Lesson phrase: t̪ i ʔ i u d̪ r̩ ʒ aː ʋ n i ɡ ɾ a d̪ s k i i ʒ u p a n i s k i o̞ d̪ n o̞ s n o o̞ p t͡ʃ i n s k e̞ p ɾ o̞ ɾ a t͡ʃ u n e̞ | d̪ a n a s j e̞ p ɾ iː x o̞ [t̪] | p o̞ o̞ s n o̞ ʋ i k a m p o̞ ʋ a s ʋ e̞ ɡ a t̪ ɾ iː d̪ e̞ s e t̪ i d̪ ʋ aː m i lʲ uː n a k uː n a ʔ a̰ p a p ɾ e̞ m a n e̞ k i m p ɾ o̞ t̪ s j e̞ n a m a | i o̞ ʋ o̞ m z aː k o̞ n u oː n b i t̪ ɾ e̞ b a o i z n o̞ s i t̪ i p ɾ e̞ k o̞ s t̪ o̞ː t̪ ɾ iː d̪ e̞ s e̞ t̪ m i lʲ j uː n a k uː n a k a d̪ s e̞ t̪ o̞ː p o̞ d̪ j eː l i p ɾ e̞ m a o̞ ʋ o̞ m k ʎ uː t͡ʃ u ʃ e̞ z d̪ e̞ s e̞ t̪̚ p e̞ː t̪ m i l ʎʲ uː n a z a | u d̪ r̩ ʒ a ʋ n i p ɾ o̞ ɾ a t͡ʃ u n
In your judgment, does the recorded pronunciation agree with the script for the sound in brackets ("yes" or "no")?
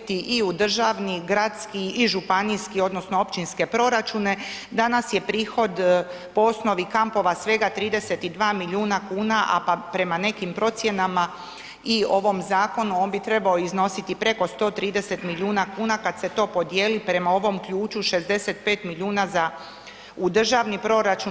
no